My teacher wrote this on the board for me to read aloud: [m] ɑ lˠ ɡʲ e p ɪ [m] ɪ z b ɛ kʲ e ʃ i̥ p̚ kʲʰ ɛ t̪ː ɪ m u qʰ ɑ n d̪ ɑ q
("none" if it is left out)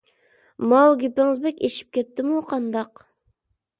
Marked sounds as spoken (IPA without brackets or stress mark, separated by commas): m, ŋ